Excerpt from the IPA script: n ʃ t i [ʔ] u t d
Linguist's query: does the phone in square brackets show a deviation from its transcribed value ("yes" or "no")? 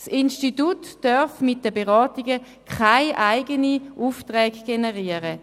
yes